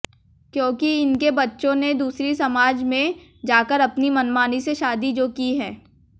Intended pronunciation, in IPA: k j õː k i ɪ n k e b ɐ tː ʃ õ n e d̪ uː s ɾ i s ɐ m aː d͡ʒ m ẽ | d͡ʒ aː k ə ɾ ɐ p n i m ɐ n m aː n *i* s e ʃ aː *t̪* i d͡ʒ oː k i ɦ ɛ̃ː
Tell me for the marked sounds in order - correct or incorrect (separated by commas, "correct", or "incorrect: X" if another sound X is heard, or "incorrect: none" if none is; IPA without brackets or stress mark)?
correct, incorrect: d̪